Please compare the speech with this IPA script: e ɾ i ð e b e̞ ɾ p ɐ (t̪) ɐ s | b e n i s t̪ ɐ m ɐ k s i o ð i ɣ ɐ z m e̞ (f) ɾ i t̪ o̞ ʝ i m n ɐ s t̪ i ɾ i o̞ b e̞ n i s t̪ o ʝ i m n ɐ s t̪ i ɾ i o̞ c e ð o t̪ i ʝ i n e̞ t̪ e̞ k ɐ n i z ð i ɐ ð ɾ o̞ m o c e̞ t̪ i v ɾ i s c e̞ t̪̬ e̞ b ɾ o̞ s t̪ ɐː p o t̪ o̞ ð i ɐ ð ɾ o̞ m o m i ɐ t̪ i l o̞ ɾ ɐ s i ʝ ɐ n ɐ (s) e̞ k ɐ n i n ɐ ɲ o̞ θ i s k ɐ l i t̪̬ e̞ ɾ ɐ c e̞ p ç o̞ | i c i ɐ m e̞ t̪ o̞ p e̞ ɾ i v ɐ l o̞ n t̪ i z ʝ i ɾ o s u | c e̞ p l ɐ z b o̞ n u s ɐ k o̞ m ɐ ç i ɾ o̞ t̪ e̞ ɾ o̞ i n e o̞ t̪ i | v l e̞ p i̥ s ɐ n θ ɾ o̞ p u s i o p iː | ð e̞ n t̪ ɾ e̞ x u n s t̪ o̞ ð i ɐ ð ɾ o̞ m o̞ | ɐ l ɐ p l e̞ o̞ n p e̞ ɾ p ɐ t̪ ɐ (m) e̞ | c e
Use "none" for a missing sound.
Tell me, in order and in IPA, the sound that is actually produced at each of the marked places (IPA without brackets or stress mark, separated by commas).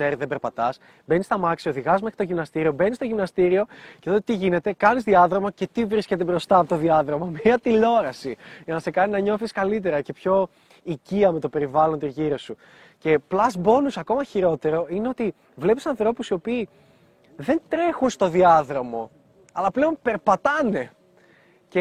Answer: t̪, x, s, n